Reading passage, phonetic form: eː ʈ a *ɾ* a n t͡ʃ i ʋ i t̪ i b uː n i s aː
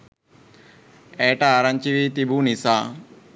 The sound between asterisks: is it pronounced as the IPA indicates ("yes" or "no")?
yes